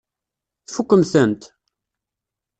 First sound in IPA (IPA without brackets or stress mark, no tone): θ